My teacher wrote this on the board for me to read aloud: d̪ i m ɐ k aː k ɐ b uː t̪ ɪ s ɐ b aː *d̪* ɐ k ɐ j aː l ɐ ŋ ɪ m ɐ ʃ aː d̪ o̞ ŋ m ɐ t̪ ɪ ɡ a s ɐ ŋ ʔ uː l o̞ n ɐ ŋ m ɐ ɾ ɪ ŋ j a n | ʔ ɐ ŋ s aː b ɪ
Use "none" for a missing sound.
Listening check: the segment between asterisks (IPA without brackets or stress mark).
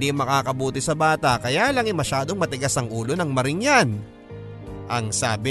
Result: t̪